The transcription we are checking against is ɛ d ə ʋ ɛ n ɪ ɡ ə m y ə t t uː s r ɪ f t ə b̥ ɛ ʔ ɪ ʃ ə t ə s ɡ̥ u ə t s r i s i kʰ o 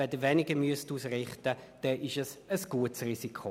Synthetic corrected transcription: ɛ d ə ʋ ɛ n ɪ ɡ ə m y ə s t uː s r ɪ χ t ə d̥ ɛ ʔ ɪ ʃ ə s ə s ɡ̥ u ə t s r i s i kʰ o

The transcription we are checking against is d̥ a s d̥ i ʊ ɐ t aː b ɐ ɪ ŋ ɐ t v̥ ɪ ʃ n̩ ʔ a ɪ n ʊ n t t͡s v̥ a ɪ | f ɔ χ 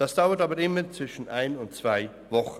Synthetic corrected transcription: d̥ a s d̥ a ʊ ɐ t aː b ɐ ɪ m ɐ t͡s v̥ ɪ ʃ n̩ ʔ a ɪ n ʊ n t t͡s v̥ a ɪ | v ɔ χ

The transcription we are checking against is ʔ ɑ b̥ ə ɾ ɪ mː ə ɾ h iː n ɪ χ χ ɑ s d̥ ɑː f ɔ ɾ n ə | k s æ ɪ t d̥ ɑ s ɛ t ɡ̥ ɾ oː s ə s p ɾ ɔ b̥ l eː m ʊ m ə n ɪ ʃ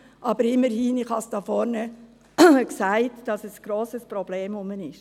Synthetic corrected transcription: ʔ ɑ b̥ ə ɾ ɪ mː ə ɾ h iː n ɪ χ h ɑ s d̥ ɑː f ɔ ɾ n ə | k s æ ɪ t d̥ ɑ s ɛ s ɡ̥ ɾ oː s ə s p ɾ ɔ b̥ l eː m ʊ m ə n ɪ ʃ

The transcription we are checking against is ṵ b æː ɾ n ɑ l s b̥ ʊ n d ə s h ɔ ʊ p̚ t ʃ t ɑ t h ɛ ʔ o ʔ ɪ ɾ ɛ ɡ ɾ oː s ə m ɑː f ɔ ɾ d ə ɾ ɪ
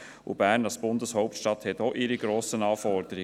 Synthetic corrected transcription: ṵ b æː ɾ n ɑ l s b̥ ʊ n d ə s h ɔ ʊ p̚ t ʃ t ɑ t h ɛ t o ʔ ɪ ɾ i ɡ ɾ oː s ə n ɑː f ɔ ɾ d ə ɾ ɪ

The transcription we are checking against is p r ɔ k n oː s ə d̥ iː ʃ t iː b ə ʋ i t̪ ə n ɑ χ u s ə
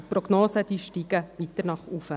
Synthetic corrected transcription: p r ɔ ɡ n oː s ə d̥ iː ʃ t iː ɡ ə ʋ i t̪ ə n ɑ χ u f ə

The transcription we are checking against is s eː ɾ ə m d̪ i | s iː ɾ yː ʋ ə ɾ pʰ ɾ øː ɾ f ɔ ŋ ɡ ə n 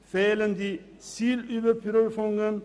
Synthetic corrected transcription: f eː l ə n d̪ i | s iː l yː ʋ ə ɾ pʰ ɾ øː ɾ f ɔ ŋ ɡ ə n

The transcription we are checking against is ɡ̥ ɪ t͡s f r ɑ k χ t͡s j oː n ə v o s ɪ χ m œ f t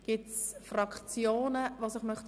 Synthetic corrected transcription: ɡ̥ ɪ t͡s f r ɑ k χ t͡s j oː n ə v o s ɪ χ m œ χ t

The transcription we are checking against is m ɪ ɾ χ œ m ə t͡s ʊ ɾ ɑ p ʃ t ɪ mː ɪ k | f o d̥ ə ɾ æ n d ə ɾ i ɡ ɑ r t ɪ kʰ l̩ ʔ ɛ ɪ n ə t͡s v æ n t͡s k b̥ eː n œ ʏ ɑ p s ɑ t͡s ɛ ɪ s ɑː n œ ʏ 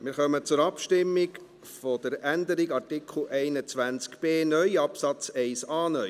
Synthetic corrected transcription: m ɪ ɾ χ œ m ə t͡s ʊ ɾ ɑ p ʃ t ɪ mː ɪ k | f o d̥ ə ɾ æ n d ə ɾ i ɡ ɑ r t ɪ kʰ l̩ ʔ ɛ ɪ n ə t͡s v æ n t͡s k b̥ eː n œ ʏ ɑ p s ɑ t͡s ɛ ɪ s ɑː n œ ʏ

